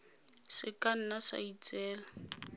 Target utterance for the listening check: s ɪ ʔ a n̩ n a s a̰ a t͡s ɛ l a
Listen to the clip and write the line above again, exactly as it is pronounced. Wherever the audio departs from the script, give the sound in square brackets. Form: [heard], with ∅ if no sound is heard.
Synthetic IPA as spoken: s ɪ [k] a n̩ n a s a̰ [i] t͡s [ɛː] l a